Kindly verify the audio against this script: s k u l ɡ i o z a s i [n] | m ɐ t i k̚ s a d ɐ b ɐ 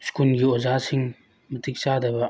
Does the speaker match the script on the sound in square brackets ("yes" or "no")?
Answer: no